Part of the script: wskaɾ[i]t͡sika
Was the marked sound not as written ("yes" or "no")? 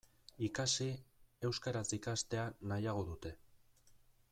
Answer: yes